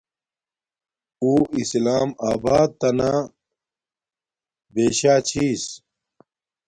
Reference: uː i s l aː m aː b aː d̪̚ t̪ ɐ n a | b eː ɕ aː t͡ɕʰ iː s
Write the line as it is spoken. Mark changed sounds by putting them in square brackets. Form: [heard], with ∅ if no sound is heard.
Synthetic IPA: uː i s l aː m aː b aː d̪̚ t̪ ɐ n a | b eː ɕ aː t͡ɕʰ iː s

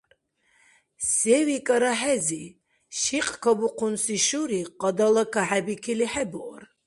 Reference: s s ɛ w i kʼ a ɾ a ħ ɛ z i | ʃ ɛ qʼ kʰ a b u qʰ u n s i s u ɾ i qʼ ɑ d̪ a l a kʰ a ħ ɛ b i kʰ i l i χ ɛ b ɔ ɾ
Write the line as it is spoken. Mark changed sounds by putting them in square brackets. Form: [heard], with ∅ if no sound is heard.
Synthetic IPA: s s ɛ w i kʼ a ɾ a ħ ɛ z i | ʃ [i] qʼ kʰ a b u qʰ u n s i [ʃ] u ɾ i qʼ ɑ d̪ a l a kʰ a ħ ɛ b i kʰ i l i [ħ] ɛ b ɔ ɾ

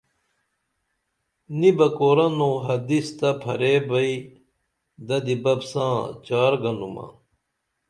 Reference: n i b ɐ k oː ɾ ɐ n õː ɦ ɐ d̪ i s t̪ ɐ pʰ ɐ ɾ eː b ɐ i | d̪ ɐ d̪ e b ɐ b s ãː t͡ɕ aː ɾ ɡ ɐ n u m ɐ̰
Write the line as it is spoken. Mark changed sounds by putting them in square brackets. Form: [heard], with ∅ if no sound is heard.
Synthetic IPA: n i b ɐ k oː ɾ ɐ n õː ɦ ɐ d̪ i s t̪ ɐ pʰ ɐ ɾ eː b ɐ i | d̪ ɐ d̪ [i] b ɐ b s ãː t͡ɕ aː ɾ ɡ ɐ n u m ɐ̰

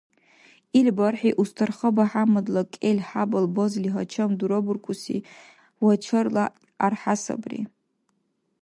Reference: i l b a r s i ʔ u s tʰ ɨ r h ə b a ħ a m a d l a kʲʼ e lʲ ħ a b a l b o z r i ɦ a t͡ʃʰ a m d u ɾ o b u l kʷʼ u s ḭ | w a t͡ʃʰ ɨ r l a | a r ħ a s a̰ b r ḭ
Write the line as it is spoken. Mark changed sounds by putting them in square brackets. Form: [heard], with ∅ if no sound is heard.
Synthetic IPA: i l b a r [ħ] i ʔ u s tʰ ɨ r [χ] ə b a ħ a m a d l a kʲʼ e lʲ ħ a b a l b o z [l] i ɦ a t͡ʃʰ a m d u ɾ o b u [r] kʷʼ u s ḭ | w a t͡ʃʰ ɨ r l a | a r ħ a s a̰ b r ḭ

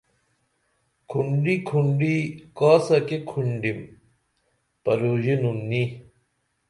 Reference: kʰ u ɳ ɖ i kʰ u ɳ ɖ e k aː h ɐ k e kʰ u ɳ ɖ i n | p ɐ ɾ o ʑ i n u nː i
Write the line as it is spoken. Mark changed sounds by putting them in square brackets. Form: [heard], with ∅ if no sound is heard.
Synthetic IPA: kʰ u ɳ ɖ i kʰ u ɳ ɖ [i] k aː [s] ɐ k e kʰ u ɳ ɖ i [m] | p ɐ ɾ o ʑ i n u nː i

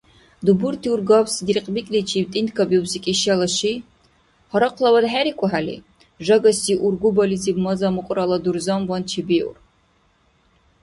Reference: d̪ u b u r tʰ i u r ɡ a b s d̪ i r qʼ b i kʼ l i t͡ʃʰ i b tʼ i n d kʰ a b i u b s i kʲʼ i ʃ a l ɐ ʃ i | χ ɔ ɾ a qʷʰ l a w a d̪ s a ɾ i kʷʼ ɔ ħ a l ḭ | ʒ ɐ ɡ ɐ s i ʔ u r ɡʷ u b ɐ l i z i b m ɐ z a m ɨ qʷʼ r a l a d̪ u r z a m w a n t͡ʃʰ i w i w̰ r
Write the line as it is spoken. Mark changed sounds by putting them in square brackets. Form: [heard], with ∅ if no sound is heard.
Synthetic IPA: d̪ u b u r tʰ i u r ɡ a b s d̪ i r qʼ b i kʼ l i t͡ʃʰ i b tʼ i n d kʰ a b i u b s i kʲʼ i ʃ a l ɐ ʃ i | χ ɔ ɾ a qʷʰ l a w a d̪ [ħ] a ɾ i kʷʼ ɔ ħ a l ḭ | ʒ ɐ ɡ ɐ s i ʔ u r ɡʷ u b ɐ l i z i b m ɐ z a m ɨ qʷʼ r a l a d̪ u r z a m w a n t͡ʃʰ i [b] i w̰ r

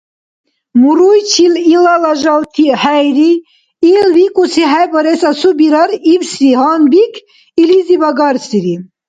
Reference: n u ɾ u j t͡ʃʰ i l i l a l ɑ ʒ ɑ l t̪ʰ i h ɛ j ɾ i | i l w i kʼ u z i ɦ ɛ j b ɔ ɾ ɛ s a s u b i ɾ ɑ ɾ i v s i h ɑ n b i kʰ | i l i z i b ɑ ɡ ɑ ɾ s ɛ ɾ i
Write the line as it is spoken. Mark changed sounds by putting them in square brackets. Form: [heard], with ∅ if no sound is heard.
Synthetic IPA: [m] u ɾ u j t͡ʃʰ i l i l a l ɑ ʒ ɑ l t̪ʰ i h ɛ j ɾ i | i l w i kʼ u [s] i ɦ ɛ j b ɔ ɾ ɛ s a s u b i ɾ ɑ ɾ i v s i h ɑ n b i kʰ | i l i z i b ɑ ɡ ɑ ɾ s [i] ɾ i

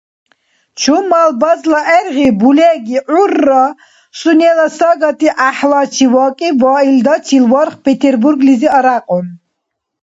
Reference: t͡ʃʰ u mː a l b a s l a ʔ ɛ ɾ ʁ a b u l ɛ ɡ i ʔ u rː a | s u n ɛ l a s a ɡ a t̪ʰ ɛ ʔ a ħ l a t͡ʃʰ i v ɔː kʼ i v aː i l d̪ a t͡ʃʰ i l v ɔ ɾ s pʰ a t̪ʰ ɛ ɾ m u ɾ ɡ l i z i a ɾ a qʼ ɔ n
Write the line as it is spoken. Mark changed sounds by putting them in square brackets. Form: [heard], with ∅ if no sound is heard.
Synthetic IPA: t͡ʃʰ u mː a l b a [z] l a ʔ ɛ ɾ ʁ [i] b u l ɛ ɡ i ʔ u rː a | s u n ɛ l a s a ɡ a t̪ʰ [i] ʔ a ħ l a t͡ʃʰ i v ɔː kʼ i v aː i l d̪ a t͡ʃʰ i l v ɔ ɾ [χ] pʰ [ɛ] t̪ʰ ɛ ɾ [b] u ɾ ɡ l i z i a ɾ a qʼ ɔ n

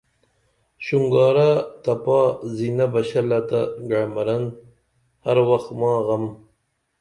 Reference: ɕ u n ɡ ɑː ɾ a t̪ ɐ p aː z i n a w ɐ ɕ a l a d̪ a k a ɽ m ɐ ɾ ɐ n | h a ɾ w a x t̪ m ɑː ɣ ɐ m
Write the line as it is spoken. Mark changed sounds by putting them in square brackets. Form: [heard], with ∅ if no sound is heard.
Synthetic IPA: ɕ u [ŋ] ɡ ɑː ɾ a t̪ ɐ p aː z i n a [b] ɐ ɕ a l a [t̪] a [ɡ] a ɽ m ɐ ɾ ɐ n | h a ɾ w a x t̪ m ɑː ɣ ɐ m

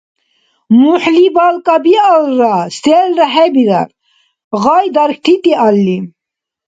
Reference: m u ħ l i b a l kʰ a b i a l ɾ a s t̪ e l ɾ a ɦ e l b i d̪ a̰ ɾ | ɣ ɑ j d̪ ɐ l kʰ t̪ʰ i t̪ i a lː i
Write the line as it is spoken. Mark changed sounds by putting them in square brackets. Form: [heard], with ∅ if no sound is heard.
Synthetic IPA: m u ħ l i b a l [k] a b i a l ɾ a s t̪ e l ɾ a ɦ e [∅] b i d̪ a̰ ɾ | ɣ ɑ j d̪ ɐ [ɾ] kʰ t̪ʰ i t̪ i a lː i

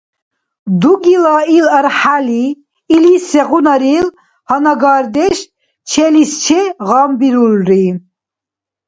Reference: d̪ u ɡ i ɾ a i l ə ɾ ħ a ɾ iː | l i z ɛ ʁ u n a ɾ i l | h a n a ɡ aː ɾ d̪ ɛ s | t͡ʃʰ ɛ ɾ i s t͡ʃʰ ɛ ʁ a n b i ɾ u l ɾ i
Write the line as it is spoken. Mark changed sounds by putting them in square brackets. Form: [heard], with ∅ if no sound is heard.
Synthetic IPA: d̪ u ɡ i [l] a i l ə ɾ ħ a [l] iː | l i [s] ɛ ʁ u n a ɾ i l | h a n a ɡ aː ɾ d̪ ɛ [ʃ] | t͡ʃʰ ɛ [l] i s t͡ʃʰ ɛ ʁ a [m] b i ɾ u l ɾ i

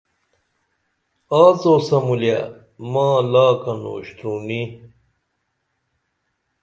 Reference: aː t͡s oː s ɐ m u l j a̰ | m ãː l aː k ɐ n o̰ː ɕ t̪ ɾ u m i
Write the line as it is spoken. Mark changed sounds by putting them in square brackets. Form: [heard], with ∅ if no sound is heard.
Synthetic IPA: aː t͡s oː s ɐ m u l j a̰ | m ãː l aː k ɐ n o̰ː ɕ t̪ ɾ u [n] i

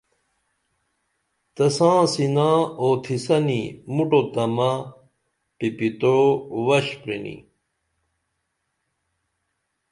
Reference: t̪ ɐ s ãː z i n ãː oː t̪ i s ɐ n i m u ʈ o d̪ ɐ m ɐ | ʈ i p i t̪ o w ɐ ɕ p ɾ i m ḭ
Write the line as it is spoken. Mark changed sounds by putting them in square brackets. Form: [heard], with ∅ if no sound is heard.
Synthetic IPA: t̪ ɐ s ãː [s] i n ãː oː [t̪ʰ] i s ɐ n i m u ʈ o [t̪] ɐ m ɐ | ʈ i p i t̪ o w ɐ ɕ p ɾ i [n] ḭ

